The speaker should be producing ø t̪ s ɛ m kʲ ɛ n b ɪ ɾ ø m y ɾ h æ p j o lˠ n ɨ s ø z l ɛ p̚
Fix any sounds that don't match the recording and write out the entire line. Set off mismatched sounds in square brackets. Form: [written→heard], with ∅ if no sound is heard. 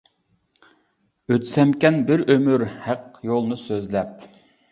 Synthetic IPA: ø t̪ s ɛ m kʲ ɛ n b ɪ ɾ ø m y ɾ h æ [p→q] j o lˠ n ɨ s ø z l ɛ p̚